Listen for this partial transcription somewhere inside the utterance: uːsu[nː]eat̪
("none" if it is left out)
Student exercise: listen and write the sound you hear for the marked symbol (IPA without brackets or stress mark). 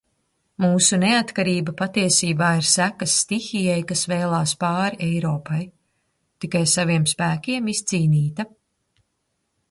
n